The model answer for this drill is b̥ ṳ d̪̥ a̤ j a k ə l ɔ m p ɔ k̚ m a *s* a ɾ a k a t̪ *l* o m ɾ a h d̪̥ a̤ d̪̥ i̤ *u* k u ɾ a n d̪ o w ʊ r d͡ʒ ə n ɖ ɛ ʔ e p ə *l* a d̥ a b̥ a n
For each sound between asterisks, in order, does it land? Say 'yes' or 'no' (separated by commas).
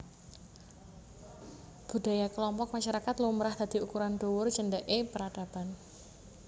no, yes, yes, no